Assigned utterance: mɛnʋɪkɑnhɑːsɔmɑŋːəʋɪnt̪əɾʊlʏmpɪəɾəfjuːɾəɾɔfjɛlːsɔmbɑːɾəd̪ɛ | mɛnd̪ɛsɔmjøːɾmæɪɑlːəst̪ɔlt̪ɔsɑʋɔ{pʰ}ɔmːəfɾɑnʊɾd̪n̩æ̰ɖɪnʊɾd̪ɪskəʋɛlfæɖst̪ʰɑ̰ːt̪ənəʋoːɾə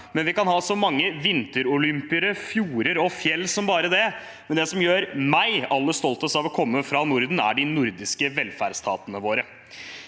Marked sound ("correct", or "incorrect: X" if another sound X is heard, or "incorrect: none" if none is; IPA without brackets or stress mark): incorrect: kʰ